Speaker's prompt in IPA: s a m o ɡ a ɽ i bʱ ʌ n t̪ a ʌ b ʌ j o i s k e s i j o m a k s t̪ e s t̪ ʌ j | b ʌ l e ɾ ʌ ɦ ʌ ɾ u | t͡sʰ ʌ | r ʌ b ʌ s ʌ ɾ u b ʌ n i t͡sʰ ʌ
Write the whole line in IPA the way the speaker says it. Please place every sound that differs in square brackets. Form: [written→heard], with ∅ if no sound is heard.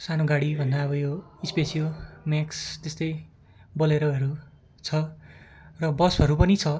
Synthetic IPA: s a [m→n] o ɡ a ɽ i bʱ ʌ n [t̪→d̪] a ʌ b ʌ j o i s [k→p] e s i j o m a k s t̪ e s t̪ ʌ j | b ʌ l e ɾ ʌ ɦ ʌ ɾ u | t͡sʰ ʌ | r ʌ b ʌ s ʌ ɾ u [b→p] ʌ n i t͡sʰ ʌ